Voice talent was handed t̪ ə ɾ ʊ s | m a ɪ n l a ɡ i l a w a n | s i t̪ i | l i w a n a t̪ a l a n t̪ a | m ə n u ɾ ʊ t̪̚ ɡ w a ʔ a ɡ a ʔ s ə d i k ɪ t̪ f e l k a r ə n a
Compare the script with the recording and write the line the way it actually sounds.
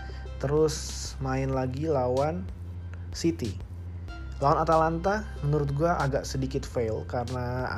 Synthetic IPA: t̪ ə ɾ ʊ s | m a ɪ n l a ɡ i l a w a n | s i t̪ i | l a w a n a t̪ a l a n t̪ a | m ə n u ɾ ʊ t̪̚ ɡ u a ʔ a ɡ a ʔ s ə d i k ɪ t̪ f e l k a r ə n a